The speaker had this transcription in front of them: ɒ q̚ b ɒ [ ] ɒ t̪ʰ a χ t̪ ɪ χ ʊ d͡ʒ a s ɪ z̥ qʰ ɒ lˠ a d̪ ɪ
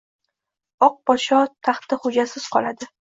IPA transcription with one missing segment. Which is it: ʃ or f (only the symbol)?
ʃ